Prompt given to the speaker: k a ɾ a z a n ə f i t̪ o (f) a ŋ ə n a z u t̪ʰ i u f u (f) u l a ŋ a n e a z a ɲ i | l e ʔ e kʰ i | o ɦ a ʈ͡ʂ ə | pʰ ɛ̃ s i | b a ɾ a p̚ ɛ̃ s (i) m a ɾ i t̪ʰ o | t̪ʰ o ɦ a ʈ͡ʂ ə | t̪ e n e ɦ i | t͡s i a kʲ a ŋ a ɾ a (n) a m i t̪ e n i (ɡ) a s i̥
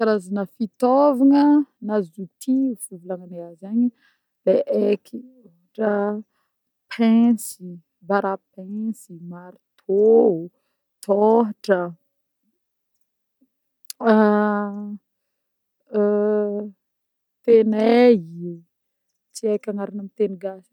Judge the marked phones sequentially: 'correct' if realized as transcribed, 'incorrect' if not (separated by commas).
incorrect, incorrect, correct, correct, correct